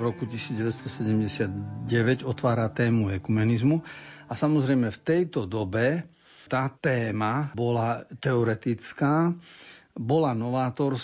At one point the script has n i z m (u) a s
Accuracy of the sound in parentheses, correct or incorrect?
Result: correct